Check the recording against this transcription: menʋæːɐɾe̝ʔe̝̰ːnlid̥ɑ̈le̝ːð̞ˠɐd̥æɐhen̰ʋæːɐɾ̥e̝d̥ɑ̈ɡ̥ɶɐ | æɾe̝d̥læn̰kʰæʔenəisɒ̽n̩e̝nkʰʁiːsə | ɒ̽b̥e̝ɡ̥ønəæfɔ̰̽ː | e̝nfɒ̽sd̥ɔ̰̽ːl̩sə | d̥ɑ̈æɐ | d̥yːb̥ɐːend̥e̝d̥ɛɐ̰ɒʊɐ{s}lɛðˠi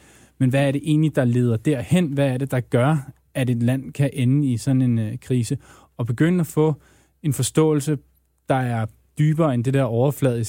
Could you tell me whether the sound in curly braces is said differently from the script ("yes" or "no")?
yes